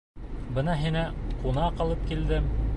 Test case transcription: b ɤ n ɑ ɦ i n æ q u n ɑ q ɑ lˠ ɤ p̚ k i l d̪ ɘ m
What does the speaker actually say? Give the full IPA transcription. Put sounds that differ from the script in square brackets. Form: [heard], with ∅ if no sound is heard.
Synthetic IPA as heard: b ɤ n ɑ ɦ i n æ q u n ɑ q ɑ lˠ ɤ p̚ k i l d̪ ɘ m